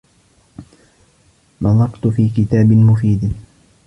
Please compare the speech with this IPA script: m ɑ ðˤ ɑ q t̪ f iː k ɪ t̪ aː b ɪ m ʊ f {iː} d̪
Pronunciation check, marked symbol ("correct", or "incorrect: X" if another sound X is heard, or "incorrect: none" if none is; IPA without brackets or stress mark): correct